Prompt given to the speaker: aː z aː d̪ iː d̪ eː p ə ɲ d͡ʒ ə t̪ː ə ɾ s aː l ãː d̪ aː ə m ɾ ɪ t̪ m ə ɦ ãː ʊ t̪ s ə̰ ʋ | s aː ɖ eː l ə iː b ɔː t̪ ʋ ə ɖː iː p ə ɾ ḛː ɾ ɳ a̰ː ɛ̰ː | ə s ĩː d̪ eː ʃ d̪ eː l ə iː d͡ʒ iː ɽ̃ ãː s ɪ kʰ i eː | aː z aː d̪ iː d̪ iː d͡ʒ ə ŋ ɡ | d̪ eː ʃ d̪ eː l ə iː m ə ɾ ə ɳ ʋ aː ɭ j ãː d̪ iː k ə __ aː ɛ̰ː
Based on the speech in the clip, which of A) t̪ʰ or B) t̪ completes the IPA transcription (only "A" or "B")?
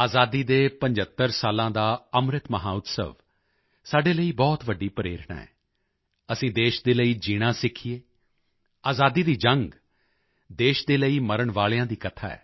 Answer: A